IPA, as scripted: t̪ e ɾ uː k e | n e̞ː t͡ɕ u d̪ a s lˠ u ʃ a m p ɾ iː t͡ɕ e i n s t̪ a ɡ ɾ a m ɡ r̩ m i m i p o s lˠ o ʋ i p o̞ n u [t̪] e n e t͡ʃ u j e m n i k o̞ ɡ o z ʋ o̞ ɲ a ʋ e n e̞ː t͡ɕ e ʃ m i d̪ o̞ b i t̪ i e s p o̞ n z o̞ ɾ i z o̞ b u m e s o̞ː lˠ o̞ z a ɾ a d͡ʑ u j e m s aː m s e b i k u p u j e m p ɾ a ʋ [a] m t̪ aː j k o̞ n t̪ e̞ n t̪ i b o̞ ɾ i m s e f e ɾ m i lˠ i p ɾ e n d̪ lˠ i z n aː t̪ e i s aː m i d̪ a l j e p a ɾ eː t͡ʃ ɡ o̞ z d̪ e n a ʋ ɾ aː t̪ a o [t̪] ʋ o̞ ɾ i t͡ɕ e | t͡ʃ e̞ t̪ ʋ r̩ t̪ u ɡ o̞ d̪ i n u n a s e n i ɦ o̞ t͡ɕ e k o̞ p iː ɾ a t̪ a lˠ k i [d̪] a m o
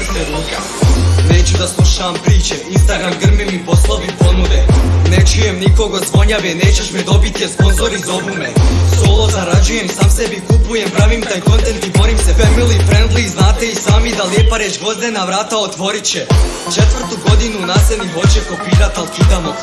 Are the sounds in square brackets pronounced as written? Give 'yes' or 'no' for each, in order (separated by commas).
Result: no, no, yes, yes